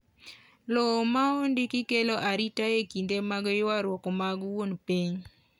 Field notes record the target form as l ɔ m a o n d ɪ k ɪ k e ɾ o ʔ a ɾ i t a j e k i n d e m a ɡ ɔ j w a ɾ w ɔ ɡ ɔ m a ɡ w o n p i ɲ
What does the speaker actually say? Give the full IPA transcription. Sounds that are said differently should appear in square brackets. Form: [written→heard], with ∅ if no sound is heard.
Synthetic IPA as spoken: l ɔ m a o n d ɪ k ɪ k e [ɾ→l] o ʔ a ɾ i t a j e k i n d e m a ɡ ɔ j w a ɾ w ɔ [ɡ→k] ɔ m a ɡ w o n p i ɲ